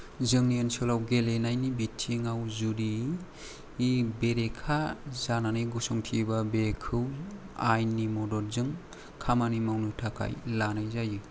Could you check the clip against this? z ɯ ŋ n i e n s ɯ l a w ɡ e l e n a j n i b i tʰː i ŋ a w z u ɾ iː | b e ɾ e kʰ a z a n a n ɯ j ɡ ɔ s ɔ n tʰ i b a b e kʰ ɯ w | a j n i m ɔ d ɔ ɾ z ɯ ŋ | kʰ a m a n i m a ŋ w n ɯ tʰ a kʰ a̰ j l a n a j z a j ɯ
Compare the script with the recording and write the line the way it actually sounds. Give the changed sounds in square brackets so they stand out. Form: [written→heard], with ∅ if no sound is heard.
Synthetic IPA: z ɯ ŋ n i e n s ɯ l a w ɡ e l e n a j n i b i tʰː i ŋ a w z u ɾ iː | b e ɾ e kʰ a z a n a n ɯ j ɡ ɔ s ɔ [n→ŋ] tʰ i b a b e kʰ ɯ w | a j n i m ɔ d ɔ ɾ z ɯ ŋ | kʰ a m a n i m a [ŋ→∅] w n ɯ tʰ a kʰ a̰ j l a n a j z a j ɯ